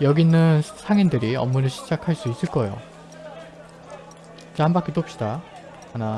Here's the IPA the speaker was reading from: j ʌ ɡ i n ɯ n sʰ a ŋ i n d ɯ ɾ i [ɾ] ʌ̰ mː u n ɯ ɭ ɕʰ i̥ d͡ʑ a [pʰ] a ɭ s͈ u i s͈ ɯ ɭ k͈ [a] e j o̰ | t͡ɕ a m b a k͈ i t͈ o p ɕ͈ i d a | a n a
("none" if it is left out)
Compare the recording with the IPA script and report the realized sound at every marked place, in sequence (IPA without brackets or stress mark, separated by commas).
none, kʰ, ʌ